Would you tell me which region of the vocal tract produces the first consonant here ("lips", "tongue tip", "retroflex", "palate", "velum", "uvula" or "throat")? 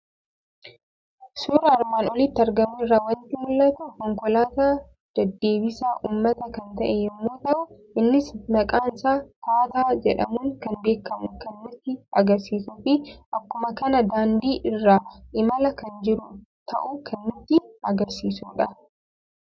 tongue tip